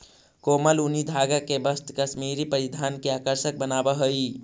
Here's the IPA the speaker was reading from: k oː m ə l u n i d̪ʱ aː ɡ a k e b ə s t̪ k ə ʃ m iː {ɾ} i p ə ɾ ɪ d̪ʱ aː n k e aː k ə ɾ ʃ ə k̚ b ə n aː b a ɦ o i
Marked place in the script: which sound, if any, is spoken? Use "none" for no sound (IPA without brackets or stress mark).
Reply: ɾ